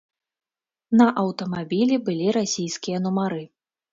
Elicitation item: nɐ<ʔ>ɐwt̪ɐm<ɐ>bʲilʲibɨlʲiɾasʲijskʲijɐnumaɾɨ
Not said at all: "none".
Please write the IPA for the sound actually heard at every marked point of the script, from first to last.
ʔ, a

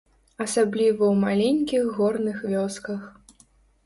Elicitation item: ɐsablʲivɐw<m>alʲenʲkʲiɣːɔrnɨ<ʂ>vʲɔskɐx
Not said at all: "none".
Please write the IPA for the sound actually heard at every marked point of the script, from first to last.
m, x

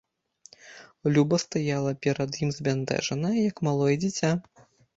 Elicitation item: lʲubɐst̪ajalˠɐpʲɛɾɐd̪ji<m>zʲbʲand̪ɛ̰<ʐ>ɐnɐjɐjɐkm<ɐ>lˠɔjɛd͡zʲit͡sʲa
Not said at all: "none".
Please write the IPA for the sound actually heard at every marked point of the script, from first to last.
m, ʐ, a

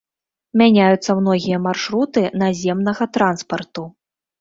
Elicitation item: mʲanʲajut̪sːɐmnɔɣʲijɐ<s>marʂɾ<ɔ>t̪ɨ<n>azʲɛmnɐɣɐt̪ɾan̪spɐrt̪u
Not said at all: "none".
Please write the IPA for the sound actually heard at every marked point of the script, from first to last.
none, u, n

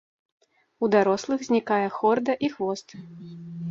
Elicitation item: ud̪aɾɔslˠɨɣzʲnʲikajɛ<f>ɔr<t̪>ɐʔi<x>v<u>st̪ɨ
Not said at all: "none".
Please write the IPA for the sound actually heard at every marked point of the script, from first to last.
x, d̪, x, ɔ

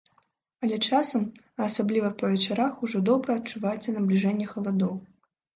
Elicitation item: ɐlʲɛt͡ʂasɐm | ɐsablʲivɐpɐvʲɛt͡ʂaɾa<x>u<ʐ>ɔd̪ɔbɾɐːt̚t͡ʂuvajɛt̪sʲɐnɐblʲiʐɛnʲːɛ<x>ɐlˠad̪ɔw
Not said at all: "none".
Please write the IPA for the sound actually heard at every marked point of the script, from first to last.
x, ʐ, x

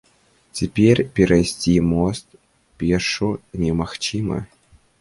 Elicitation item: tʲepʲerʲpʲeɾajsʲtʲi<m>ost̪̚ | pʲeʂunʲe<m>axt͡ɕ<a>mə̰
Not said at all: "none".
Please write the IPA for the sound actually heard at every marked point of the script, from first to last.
m, m, i

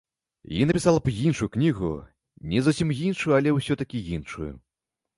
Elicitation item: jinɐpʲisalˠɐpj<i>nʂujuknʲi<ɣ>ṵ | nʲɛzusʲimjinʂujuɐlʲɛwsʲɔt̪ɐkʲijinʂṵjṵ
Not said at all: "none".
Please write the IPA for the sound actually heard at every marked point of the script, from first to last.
i, ɣ

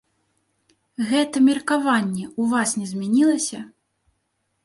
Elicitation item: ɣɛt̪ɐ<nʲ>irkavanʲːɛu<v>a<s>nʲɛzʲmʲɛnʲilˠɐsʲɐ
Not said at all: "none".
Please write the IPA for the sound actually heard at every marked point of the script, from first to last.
mʲ, v, s

